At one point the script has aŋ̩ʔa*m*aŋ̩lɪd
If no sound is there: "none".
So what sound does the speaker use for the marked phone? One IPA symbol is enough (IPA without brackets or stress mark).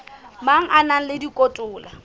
n